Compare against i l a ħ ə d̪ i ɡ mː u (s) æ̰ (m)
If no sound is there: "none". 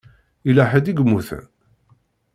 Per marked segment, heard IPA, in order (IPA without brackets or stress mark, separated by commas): θ, n